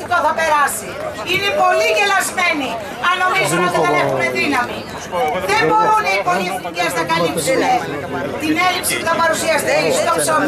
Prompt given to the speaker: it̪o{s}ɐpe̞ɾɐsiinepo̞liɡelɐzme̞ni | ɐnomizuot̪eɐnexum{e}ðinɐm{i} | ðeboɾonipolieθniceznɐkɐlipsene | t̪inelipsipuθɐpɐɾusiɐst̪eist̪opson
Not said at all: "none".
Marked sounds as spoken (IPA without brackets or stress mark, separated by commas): θ, e, i